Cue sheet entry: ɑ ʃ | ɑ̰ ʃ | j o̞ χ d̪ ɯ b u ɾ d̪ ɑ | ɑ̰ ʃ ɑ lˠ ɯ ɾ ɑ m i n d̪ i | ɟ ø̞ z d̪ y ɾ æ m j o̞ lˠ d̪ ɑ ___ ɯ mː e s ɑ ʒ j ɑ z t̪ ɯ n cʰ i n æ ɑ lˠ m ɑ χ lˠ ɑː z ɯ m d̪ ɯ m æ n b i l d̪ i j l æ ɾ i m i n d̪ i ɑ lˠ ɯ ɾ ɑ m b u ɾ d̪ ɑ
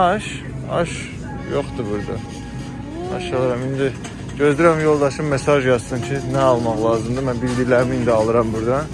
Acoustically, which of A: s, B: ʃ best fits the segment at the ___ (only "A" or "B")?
B